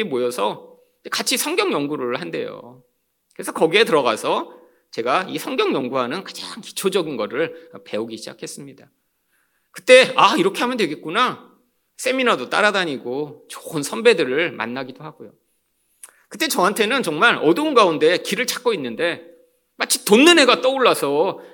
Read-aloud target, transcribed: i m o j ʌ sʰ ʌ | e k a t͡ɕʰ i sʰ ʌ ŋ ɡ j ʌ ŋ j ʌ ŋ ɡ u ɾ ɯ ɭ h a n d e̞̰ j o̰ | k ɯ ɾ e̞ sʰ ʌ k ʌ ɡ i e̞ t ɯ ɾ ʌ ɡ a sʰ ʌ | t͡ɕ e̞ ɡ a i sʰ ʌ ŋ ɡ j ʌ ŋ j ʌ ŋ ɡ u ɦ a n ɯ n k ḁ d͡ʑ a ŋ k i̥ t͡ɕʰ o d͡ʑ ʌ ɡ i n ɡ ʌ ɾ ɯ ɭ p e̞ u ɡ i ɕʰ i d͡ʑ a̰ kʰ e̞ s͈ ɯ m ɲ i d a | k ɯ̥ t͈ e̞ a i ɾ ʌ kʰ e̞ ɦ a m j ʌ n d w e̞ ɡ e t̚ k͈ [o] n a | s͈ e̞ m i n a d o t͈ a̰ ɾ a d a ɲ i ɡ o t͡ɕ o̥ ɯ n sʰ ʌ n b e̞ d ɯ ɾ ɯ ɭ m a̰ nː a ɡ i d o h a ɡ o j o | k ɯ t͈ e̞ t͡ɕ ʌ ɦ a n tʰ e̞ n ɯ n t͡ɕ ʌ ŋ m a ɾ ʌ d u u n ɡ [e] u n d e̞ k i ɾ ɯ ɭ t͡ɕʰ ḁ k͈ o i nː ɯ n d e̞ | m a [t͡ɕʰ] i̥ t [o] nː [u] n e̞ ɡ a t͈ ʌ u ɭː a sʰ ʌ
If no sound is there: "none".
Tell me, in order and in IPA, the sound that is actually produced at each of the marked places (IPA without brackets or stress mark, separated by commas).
u, a, t͡ɕʰ, o, ɯ